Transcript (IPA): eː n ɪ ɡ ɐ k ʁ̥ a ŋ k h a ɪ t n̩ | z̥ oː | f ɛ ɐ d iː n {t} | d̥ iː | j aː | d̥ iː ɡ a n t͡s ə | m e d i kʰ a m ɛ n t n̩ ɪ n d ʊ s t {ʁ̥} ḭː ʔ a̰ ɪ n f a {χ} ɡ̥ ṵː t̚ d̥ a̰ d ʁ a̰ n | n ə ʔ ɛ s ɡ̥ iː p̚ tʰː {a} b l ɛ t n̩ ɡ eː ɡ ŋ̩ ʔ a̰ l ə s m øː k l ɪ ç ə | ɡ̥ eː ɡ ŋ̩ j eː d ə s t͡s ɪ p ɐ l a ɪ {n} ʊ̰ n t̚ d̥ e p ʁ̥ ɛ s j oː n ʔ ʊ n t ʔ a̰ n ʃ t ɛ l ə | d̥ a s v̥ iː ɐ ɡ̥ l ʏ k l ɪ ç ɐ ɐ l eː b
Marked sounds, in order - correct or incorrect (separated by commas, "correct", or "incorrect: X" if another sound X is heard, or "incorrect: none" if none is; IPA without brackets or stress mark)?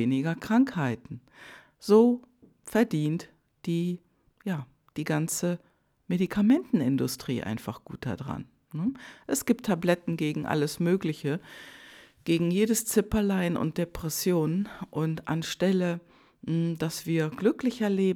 correct, correct, correct, correct, correct